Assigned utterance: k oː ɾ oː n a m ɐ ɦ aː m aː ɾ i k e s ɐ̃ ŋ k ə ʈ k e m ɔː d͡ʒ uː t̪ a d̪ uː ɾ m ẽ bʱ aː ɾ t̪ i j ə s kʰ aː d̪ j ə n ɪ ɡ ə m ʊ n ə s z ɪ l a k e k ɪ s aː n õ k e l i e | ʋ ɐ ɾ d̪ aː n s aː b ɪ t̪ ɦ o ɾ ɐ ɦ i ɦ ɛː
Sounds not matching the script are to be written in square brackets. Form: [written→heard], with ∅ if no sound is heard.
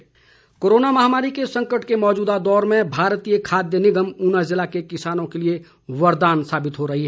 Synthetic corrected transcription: k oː ɾ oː n a m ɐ ɦ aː m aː ɾ i k e s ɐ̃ ŋ k ə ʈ k e m ɔː d͡ʒ uː [t̪→d̪] a d̪ [uː→ɔː] ɾ m ẽ bʱ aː ɾ t̪ i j ə [s→∅] kʰ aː d̪ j ə n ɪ ɡ ə m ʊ n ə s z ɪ l a k e k ɪ s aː n õ k e l i e | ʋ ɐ ɾ d̪ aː n s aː b ɪ t̪ ɦ o ɾ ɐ ɦ i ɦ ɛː